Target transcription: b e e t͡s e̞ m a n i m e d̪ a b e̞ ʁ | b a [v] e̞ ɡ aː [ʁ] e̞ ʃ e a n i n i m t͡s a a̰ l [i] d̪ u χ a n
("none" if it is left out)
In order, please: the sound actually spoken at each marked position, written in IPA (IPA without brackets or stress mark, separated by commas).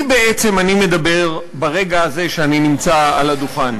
ʁ, z, a